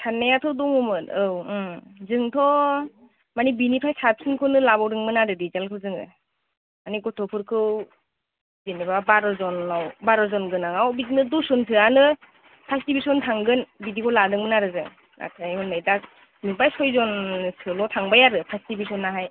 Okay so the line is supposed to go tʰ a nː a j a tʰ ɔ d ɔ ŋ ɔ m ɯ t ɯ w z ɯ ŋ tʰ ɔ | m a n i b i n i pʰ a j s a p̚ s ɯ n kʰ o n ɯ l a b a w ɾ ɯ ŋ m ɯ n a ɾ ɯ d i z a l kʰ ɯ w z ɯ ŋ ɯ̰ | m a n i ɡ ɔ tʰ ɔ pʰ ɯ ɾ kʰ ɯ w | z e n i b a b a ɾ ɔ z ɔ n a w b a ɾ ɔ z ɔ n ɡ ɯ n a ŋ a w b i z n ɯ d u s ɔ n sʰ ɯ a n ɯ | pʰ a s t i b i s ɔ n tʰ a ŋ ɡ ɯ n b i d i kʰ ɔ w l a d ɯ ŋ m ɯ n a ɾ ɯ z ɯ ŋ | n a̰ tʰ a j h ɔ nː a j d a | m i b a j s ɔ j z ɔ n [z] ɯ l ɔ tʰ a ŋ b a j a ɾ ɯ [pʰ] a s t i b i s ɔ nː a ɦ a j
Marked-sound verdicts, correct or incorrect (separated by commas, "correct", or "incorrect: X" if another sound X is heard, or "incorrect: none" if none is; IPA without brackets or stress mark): incorrect: s, correct